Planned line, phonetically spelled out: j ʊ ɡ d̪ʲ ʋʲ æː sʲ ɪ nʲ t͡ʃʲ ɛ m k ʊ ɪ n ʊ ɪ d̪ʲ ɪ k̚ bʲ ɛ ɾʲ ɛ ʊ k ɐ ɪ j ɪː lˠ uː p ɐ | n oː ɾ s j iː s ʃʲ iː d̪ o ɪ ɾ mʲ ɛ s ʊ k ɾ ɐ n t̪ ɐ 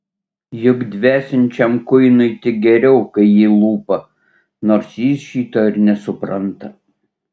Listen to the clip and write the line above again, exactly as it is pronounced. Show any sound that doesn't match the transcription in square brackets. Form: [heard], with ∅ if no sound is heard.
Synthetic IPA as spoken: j ʊ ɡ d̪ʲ ʋʲ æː sʲ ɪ nʲ t͡ʃʲ ɛ m k ʊ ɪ n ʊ ɪ [t̪ʲ] ɪ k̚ [ɡʲ] ɛ ɾʲ ɛ ʊ k ɐ ɪ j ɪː lˠ uː p ɐ | n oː ɾ s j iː s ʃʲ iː [t̪] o ɪ ɾ [nʲ] ɛ s ʊ [p] ɾ ɐ n t̪ ɐ